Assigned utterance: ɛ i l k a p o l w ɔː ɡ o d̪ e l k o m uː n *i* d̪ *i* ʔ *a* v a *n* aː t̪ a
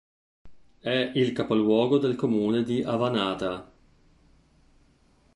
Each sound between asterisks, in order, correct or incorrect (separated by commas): incorrect, correct, correct, correct